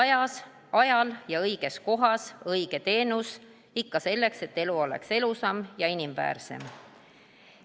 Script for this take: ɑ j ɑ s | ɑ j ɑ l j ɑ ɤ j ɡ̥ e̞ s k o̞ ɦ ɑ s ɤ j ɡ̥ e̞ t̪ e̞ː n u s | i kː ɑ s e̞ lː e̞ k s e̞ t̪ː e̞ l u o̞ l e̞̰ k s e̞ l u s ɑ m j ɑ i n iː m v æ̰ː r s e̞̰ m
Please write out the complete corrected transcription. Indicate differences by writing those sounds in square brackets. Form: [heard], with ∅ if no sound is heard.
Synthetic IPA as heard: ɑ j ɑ s | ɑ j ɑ l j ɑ ɤ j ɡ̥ e̞ s k o̞ ɦ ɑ s ɤ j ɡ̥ e̞ t̪ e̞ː n u s | i kː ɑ s e̞ lː e̞ k s e̞ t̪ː e̞ l u o̞ l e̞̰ k s e̞ l u s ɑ m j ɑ i n [i] m v æ̰ː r s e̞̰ m